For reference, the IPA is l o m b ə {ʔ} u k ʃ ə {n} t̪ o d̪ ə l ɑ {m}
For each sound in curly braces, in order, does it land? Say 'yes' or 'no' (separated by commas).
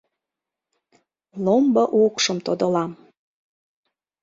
yes, no, yes